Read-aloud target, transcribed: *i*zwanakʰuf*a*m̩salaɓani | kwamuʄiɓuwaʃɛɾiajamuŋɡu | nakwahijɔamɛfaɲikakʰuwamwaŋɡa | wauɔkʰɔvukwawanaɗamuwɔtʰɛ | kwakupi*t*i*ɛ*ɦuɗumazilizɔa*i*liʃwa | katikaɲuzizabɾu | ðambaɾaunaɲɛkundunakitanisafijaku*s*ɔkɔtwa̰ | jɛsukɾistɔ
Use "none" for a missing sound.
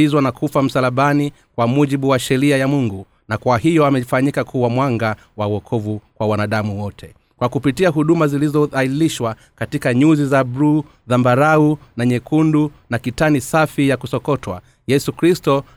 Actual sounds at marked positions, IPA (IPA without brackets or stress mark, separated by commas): i, a, t, a, i, s